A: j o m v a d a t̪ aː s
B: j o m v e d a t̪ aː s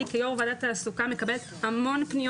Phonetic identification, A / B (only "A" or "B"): A